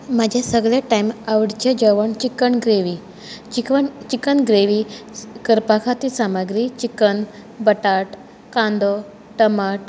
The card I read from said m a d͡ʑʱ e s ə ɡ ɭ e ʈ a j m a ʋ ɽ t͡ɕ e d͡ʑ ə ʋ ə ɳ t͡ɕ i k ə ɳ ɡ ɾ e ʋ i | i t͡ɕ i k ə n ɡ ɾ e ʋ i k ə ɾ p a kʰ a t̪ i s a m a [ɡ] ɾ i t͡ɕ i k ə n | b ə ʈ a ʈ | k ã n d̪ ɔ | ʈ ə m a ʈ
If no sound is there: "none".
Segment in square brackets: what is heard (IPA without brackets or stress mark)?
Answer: ɡ